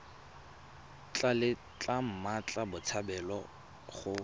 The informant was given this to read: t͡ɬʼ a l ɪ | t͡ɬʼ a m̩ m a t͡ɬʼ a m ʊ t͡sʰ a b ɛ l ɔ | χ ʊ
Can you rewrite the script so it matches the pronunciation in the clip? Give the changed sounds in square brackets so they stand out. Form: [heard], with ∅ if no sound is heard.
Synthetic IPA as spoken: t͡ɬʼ a l ɪ | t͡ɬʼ a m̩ m a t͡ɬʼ a [b] ʊ t͡sʰ a b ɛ l ɔ | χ ʊ